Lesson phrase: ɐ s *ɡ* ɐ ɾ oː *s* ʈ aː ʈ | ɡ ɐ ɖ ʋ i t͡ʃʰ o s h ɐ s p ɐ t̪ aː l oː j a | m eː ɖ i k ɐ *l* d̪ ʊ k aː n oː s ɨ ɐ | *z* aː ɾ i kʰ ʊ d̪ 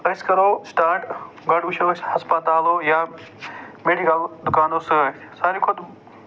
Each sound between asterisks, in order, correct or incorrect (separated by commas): incorrect, correct, correct, incorrect